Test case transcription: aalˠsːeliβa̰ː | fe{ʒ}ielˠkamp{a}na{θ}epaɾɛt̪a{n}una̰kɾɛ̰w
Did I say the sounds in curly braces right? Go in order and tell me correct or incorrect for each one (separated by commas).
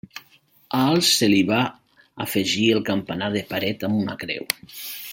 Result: correct, correct, incorrect, incorrect